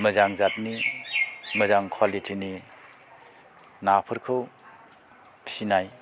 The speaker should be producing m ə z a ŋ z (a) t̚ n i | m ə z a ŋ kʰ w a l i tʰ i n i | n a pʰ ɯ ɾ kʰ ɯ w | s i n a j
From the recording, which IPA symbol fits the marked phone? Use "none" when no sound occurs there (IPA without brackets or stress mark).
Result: a